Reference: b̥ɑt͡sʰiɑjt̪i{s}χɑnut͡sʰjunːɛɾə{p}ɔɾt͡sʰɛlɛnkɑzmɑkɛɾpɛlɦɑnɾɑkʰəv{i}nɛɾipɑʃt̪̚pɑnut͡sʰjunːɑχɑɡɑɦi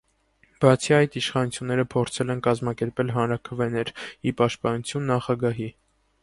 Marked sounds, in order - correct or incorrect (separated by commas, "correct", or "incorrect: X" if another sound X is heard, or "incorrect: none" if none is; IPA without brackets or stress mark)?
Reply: incorrect: ʃ, incorrect: pʰ, incorrect: ɛ